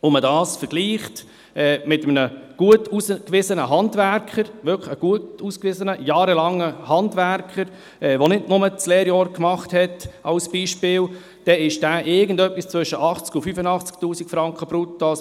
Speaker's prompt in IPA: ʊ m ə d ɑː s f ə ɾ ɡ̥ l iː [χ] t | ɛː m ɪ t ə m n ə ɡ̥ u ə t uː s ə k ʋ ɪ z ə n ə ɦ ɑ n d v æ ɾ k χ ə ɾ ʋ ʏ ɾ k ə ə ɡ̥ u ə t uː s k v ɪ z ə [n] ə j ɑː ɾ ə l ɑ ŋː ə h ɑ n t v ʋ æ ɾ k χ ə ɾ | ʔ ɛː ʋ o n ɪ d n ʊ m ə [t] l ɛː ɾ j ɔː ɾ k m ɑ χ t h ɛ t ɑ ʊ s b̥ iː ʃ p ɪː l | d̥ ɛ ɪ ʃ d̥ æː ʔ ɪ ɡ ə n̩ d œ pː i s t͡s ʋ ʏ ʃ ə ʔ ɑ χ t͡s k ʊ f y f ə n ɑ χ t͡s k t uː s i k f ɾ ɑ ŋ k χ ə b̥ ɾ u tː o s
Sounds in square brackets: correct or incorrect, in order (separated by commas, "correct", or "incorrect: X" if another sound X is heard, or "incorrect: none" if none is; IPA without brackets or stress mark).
correct, correct, incorrect: t͡s